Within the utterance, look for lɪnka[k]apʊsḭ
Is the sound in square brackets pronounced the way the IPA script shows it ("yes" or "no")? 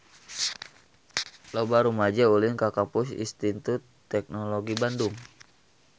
yes